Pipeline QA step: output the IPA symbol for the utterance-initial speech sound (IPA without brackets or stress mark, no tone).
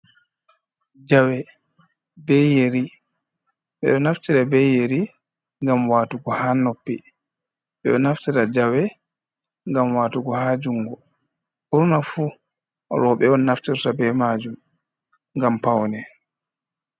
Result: d͡ʒ